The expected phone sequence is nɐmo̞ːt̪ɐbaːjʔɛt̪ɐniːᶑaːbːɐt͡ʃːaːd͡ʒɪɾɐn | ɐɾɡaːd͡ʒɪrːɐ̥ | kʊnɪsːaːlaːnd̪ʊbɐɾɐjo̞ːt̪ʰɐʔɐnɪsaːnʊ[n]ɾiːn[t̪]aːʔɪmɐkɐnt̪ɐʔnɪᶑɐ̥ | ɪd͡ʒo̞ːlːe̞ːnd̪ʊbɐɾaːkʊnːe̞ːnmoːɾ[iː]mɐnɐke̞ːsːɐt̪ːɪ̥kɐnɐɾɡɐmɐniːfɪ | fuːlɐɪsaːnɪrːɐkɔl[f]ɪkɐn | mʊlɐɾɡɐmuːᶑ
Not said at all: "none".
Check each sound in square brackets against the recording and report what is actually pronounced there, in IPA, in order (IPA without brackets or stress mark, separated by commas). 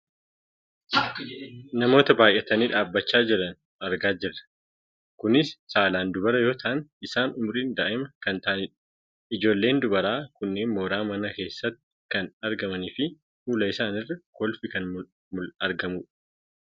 m, d̪, aː, f